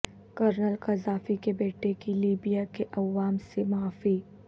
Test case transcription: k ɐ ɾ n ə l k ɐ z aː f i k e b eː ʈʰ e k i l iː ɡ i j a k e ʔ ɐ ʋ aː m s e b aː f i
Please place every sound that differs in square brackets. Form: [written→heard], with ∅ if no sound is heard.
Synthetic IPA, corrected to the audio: k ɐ ɾ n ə l k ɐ z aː f i k e b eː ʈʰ e k i l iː [ɡ→b] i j a k e ʔ ɐ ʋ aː m s e [b→m] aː f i